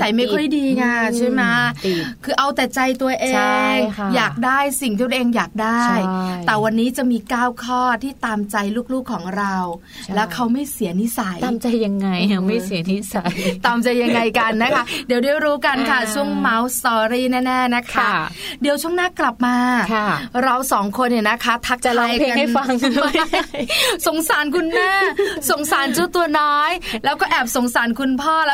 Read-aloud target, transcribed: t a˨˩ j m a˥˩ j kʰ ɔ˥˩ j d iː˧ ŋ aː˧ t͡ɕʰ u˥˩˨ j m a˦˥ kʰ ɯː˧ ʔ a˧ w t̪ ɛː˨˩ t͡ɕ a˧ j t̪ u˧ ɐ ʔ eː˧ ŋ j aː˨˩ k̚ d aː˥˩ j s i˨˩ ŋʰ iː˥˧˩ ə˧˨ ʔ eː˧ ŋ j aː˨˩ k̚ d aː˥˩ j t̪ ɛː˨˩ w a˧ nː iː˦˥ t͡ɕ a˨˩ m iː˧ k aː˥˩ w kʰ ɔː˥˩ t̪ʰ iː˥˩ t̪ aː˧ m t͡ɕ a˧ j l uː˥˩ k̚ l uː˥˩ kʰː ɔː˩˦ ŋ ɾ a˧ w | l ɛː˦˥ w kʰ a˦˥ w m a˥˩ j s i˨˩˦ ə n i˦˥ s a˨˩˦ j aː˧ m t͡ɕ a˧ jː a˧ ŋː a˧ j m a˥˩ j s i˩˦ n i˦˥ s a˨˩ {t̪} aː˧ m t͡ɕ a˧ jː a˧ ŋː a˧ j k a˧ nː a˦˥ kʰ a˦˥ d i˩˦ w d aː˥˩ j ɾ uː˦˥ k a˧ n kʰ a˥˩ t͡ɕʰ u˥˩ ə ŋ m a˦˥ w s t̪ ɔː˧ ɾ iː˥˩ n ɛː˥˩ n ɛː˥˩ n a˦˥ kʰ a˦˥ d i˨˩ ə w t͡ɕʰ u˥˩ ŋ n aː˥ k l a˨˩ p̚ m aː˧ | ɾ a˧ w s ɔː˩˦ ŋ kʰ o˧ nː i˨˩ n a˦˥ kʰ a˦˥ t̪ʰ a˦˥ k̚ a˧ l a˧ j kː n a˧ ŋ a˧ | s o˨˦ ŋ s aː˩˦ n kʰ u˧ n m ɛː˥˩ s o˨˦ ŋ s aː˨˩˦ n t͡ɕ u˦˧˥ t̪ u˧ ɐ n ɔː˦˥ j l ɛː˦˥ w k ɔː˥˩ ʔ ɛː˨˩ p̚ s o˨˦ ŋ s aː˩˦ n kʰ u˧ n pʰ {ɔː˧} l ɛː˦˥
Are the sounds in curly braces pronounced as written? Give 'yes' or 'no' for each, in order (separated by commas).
yes, no